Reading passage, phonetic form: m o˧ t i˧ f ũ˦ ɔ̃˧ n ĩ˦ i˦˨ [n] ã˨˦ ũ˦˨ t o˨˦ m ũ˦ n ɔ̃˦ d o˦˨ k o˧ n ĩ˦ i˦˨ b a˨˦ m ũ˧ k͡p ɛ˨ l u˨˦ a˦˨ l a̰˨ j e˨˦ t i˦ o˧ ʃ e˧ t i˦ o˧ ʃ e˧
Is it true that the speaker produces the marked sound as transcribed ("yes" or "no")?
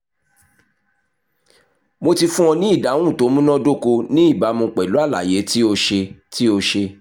no